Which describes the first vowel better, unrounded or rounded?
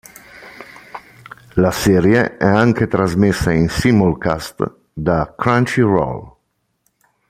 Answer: unrounded